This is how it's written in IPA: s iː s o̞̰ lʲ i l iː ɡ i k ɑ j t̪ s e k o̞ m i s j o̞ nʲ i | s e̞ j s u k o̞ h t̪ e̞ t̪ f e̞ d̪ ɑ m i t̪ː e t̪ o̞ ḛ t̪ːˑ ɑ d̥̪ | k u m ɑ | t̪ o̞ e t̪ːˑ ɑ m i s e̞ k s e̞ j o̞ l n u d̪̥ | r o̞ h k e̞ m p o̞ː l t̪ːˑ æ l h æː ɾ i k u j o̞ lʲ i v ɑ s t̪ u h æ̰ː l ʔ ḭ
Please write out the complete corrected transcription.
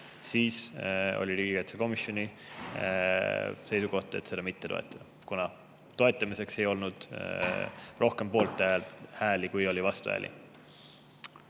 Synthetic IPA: s iː s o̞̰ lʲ i l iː ɡ i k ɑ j t̪ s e k o̞ m i s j o̞ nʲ i | s e̞ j s u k o̞ h t̪ e̞ t̪ s e̞ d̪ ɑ m i t̪ː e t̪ o̞ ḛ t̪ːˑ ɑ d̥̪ | k u n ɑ | t̪ o̞ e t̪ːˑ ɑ m i s e̞ k s e̞ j o̞ l n u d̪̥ | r o̞ h k e̞ m p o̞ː l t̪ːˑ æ l h æː l i k u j o̞ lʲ i v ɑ s t̪ u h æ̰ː l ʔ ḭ